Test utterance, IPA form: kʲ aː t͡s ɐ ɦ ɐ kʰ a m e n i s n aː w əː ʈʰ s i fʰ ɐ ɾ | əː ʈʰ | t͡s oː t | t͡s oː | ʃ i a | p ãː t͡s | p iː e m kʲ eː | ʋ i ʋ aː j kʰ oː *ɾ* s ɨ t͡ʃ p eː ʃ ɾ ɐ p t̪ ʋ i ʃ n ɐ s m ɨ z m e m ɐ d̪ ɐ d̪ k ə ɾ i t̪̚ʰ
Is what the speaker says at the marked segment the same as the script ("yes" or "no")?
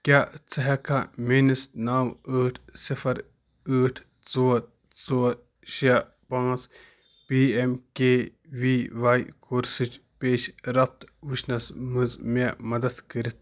yes